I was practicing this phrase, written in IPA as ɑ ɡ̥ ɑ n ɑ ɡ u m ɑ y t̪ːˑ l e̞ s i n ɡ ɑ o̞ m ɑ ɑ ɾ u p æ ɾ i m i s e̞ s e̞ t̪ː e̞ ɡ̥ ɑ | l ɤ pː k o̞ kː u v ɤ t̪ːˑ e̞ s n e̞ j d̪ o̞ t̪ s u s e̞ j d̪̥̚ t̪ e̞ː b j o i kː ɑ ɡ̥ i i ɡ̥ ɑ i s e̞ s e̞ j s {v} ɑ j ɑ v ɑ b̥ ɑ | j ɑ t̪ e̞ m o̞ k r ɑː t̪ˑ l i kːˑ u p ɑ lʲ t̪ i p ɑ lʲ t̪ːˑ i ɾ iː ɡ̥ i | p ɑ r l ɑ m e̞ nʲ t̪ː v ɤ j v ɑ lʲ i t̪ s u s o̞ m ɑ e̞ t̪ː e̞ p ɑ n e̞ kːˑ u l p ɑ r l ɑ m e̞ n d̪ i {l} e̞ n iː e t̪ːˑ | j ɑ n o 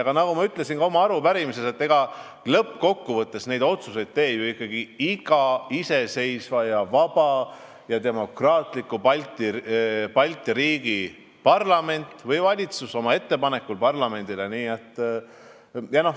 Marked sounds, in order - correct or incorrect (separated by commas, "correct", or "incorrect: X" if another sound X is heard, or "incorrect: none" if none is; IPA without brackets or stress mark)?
correct, correct